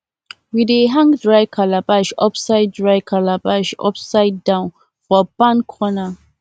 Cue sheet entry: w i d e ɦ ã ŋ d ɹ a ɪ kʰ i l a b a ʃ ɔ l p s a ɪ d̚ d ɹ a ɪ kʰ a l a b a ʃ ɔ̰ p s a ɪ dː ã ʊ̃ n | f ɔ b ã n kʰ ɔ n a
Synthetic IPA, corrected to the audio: w i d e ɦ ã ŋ d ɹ a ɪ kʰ a l a b a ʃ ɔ p s a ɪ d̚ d ɹ a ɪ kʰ a l a b a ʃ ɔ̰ p s a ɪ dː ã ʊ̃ n | f ɔ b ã n kʰ ɔ n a